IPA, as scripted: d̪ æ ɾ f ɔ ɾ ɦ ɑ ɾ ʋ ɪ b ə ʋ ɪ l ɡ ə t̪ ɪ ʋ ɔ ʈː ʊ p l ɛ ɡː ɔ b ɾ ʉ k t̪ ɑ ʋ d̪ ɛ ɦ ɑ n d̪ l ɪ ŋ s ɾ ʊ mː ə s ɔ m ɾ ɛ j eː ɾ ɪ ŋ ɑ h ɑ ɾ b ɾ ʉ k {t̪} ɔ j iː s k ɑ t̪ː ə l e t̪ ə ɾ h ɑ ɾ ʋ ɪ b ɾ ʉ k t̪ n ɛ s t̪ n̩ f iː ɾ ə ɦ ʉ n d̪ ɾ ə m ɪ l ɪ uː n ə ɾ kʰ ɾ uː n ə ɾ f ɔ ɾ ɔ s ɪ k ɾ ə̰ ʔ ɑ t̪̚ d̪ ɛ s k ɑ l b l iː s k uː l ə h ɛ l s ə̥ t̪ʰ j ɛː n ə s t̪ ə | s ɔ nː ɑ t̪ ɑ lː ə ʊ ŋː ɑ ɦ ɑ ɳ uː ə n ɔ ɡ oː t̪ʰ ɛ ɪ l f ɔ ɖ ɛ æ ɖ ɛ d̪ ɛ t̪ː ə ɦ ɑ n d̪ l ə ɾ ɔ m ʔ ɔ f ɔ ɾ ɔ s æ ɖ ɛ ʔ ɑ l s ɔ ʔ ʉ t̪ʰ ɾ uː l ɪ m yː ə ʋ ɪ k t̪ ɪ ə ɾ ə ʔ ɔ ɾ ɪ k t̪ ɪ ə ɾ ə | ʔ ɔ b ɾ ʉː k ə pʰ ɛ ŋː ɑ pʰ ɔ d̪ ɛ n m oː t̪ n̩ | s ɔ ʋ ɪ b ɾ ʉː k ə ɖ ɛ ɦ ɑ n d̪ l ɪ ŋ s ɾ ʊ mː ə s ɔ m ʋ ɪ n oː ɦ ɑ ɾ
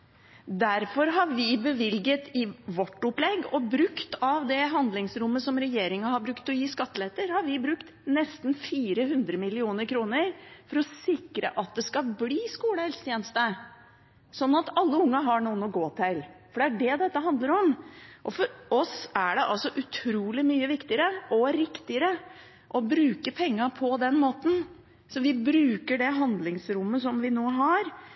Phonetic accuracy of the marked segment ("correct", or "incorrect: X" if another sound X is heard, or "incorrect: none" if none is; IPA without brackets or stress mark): correct